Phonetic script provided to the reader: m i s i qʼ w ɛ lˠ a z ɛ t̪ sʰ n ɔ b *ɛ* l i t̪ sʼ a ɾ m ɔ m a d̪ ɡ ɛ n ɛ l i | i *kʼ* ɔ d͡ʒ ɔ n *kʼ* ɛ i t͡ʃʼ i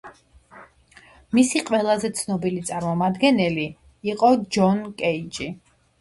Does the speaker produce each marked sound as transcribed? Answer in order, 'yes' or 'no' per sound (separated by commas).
no, no, yes